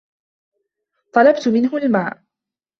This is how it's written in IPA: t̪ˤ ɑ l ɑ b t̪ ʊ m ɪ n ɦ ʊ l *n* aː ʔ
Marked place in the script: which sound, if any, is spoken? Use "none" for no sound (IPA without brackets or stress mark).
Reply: m